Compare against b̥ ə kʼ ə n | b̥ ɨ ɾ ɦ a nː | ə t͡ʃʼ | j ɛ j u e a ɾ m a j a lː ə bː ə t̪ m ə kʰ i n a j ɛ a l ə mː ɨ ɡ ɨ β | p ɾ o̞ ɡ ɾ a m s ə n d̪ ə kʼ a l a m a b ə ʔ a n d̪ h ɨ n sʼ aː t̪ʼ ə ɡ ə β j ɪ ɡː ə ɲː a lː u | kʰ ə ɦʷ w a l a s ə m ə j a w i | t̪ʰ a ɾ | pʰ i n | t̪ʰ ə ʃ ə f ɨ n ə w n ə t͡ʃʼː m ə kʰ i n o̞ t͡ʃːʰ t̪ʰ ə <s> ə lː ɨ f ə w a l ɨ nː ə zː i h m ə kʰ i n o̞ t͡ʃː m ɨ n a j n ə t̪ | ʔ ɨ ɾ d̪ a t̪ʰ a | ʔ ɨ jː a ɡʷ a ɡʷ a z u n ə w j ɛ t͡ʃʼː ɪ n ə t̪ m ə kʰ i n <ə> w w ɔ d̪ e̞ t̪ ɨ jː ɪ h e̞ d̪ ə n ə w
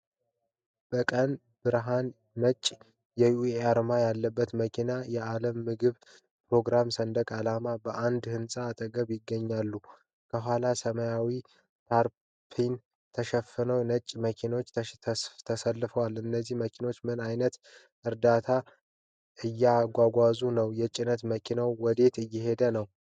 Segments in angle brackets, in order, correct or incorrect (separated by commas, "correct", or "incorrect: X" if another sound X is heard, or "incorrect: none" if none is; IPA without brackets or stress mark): correct, incorrect: a